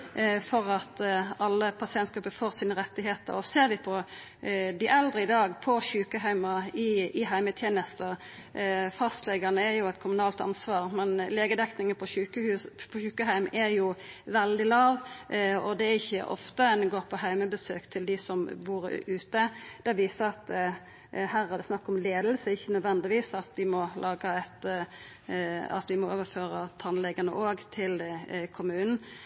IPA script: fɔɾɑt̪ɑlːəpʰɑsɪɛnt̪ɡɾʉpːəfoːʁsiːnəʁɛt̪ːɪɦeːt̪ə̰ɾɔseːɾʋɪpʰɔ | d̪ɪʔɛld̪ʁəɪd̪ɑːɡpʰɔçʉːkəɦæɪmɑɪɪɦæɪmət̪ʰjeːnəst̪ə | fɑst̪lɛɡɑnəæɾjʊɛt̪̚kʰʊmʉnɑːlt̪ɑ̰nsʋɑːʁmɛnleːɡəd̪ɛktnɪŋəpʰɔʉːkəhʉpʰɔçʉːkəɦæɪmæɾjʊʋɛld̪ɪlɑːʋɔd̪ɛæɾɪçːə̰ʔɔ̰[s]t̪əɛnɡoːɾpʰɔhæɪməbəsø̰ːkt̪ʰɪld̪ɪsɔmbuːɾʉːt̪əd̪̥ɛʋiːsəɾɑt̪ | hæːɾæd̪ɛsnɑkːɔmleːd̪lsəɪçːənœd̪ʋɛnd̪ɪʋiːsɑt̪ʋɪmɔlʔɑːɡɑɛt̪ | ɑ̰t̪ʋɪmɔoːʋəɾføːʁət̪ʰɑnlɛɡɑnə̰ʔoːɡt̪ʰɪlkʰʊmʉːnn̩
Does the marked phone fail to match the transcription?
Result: yes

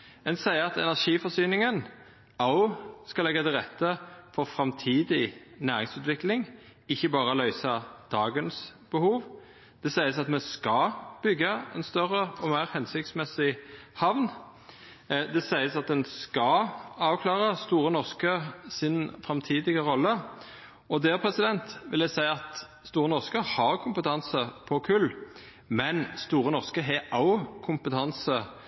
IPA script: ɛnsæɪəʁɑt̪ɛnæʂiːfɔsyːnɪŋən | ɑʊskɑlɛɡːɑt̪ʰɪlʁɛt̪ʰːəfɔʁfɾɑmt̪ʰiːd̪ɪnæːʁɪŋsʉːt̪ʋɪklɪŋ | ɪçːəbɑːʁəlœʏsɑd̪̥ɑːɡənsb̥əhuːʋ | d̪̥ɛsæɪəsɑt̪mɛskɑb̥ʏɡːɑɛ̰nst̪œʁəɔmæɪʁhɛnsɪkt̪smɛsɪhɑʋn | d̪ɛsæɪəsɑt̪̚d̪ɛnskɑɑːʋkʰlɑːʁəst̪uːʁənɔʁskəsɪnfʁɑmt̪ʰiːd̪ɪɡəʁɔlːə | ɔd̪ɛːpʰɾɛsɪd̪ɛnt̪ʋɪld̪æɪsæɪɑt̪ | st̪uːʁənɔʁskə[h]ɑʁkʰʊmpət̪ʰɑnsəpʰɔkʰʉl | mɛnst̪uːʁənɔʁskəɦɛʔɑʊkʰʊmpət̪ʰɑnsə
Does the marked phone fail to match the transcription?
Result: no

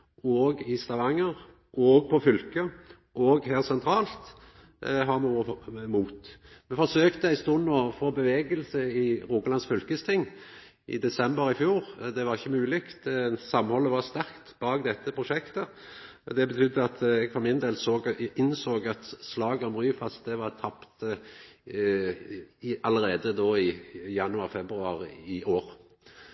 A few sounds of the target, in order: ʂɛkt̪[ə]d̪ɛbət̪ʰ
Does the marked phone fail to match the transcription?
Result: no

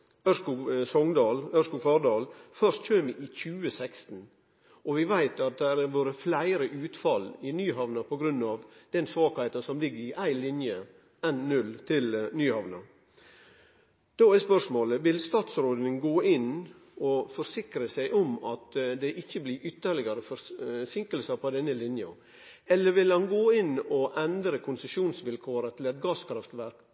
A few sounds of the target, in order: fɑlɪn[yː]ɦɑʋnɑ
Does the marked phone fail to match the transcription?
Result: no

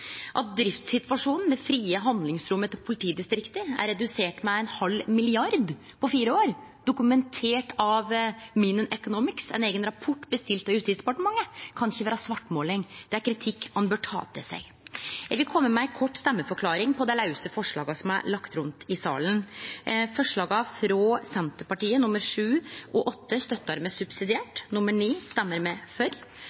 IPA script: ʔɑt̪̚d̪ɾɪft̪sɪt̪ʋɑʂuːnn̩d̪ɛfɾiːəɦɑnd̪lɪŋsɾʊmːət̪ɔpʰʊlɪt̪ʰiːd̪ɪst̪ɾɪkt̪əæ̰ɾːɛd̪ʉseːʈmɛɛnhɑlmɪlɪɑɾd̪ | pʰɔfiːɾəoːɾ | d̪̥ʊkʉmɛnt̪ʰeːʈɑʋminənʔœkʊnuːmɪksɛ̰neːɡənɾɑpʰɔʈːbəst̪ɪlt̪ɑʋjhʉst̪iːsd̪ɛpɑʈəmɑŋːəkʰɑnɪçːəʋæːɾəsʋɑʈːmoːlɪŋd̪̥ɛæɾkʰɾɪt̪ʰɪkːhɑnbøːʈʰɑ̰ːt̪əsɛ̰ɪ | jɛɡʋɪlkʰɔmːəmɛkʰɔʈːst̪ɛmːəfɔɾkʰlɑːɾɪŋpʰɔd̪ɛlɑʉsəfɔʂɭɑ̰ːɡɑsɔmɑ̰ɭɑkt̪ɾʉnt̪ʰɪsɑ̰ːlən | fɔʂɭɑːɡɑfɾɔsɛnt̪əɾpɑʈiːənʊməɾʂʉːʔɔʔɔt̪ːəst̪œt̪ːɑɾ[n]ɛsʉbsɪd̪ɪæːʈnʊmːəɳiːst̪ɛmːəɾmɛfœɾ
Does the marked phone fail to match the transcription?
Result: yes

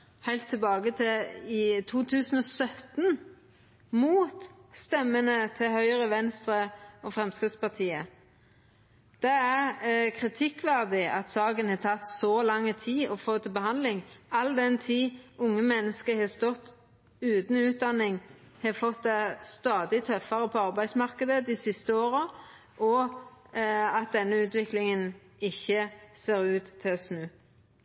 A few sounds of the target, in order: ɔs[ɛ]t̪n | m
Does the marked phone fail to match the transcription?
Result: yes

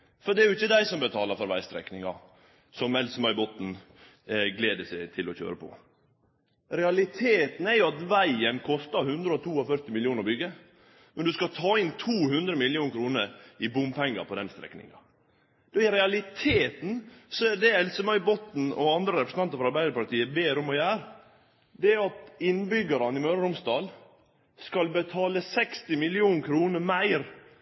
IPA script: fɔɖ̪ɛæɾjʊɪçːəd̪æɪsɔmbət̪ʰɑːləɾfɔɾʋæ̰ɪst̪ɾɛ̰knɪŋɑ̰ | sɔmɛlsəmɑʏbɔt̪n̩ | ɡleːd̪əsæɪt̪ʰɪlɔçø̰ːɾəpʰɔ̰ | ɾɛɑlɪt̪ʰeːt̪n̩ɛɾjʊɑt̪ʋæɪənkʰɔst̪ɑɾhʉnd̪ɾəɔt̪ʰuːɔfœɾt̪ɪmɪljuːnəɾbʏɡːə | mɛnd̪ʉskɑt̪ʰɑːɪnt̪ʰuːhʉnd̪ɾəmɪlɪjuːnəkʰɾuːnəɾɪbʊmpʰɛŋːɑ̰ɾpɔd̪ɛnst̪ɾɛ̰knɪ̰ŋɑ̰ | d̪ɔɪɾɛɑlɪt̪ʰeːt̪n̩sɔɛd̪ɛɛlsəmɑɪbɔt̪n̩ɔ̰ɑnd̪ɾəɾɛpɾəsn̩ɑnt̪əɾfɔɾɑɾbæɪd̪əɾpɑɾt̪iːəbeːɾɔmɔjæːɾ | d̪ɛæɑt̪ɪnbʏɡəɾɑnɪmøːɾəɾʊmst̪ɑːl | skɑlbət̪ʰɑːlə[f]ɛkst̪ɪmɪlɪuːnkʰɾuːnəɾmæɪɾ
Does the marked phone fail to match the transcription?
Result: yes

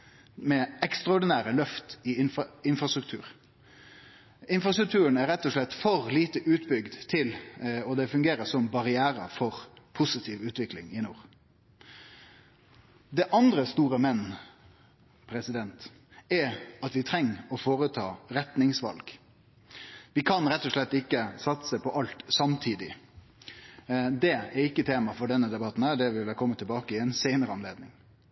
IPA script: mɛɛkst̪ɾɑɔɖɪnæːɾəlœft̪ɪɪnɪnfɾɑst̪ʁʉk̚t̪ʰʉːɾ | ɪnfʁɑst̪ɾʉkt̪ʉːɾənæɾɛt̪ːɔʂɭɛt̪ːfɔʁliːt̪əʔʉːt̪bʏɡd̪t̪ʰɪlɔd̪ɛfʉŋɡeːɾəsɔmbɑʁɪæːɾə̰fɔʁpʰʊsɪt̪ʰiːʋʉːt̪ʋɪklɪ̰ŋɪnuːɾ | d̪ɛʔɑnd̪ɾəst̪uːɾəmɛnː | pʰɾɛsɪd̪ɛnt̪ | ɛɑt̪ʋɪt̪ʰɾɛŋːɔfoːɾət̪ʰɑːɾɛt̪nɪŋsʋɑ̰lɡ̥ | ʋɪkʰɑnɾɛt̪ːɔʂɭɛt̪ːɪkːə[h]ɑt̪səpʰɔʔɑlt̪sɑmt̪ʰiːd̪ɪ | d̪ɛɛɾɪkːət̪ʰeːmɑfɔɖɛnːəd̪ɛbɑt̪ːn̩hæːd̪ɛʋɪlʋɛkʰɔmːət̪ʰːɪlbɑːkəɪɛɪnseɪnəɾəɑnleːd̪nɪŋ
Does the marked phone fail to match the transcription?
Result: yes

